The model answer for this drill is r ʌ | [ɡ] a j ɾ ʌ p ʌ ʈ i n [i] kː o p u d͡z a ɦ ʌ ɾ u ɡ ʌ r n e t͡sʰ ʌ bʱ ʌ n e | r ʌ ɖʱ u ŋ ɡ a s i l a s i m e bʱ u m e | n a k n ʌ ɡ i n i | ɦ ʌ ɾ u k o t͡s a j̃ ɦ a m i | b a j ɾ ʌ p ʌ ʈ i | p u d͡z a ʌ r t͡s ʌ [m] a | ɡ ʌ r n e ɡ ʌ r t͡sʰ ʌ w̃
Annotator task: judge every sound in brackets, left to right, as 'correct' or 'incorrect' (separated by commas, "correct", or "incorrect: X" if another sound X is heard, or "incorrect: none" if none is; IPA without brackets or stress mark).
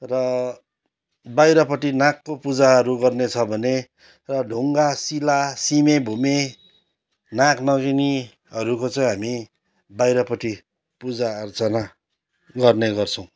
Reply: incorrect: b, incorrect: a, incorrect: n